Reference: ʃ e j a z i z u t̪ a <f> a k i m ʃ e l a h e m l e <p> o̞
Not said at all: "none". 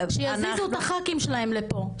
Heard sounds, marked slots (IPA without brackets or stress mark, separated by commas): χ, p